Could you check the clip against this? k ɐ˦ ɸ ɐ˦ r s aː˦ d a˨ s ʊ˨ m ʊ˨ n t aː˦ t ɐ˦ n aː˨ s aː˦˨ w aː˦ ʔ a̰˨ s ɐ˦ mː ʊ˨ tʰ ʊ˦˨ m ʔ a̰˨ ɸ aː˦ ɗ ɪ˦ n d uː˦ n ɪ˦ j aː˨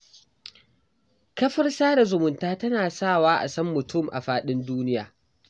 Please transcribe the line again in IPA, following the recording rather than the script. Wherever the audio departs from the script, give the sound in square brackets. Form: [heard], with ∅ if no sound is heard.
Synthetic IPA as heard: k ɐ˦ ɸ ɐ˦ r s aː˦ d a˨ [z] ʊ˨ m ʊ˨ n t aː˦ t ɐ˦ n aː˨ s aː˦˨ w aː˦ ʔ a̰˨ s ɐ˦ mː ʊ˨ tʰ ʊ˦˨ m ʔ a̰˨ ɸ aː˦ ɗ ɪ˦ n d uː˦ n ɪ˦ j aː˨